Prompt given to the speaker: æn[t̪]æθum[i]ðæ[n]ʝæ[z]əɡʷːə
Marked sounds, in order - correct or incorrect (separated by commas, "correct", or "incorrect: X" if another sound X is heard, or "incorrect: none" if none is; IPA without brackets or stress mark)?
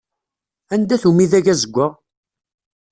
incorrect: d̪, correct, incorrect: none, correct